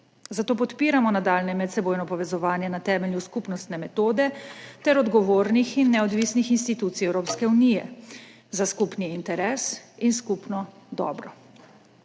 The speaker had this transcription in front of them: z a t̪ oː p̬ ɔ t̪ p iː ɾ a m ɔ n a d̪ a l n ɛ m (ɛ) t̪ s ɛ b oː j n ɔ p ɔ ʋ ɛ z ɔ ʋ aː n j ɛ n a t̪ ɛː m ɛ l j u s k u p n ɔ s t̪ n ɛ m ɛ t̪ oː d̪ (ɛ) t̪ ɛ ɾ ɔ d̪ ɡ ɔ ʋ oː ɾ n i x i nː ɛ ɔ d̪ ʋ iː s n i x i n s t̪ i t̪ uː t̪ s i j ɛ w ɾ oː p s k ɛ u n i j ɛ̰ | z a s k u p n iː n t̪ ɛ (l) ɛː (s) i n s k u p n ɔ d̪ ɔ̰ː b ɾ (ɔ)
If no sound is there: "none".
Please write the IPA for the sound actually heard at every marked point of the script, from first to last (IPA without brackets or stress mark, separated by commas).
ɛ, ɛ, ɾ, s, ɔ